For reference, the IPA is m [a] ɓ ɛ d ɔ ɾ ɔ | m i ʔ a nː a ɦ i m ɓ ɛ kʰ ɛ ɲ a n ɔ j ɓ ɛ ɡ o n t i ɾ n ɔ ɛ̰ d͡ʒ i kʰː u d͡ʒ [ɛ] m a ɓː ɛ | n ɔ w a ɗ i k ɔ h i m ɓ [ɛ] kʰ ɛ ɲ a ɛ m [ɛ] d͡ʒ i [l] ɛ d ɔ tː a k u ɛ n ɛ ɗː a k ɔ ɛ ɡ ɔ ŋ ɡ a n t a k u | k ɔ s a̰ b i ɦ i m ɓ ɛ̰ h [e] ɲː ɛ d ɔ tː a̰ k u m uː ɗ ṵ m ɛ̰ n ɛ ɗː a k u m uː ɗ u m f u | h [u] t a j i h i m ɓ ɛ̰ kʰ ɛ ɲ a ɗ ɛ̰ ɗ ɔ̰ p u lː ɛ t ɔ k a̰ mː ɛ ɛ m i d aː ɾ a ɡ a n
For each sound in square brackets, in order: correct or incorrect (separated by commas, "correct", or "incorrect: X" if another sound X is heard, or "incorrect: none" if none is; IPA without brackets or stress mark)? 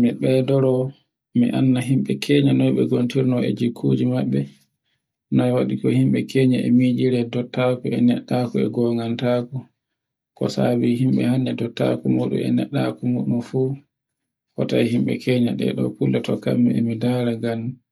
incorrect: i, incorrect: i, correct, incorrect: i, incorrect: ɾ, incorrect: a, incorrect: ɔ